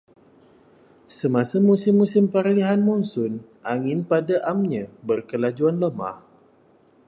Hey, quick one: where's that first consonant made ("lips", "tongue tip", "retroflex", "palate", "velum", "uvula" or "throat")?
tongue tip